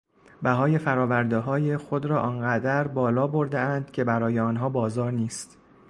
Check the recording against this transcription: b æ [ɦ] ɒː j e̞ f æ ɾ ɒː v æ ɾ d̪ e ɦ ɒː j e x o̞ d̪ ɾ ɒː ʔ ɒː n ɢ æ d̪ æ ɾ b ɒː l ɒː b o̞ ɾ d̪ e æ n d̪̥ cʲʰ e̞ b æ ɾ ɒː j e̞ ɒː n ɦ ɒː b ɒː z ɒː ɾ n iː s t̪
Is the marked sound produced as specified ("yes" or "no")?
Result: yes